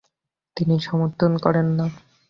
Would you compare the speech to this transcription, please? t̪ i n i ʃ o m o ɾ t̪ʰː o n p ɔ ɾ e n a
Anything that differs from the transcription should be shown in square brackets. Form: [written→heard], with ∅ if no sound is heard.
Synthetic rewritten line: t̪ i n i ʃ [o→ɔ] m o ɾ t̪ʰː o n [p→k] ɔ ɾ e [n→nː] a

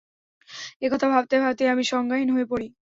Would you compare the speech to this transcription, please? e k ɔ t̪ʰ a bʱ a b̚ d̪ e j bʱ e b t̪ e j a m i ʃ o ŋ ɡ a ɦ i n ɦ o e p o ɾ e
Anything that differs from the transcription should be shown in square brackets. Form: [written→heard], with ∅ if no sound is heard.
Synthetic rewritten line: e k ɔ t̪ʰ a bʱ a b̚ [d̪→t̪] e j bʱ [e→a] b t̪ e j a m i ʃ [o→ɔ] ŋ ɡ a ɦ i n ɦ o e p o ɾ [e→i]

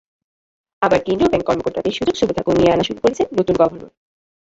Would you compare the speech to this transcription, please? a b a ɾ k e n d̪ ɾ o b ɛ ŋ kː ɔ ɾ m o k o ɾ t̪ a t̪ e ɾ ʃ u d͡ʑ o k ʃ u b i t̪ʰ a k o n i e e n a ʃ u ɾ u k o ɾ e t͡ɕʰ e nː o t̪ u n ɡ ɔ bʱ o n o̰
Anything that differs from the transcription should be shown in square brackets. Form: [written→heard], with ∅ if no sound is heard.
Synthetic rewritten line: a b a ɾ k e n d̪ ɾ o b ɛ ŋ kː ɔ ɾ m o k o ɾ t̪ a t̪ e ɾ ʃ u d͡ʑ o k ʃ u b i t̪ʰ a k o n i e [e→a] n a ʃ u ɾ u k o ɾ e t͡ɕʰ e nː o t̪ u n ɡ ɔ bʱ o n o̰

